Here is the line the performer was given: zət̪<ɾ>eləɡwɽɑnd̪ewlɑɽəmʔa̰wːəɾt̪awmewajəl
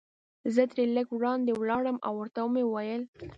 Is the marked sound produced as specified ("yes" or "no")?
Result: yes